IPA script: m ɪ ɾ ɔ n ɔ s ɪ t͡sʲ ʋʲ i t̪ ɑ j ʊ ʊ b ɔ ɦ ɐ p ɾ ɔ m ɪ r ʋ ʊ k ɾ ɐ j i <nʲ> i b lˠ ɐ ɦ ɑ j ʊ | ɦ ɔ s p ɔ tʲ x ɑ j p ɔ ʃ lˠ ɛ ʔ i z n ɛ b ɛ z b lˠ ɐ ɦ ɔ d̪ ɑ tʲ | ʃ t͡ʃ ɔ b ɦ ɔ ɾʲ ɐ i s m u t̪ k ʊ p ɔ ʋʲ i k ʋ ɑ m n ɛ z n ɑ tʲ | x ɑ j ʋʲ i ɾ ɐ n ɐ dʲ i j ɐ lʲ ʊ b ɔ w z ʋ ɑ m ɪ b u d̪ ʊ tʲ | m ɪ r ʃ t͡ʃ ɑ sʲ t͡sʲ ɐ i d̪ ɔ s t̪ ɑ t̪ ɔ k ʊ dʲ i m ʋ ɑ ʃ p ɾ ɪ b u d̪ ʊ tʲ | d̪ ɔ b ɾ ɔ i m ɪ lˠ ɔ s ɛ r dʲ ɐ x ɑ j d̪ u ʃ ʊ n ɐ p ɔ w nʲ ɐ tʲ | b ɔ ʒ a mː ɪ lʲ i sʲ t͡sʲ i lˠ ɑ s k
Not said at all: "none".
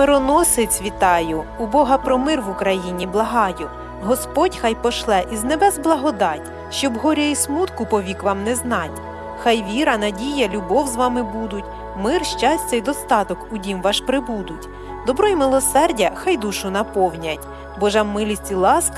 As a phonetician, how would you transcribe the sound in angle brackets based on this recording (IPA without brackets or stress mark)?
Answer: nʲ